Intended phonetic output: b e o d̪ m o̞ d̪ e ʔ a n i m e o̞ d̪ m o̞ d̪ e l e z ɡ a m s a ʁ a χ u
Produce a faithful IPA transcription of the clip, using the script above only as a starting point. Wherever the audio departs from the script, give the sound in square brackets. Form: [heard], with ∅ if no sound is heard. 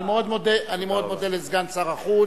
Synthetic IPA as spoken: [m] e o d̪ m o̞ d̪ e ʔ a n i m e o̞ d̪ m o̞ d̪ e l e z ɡ a [n] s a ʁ a χ u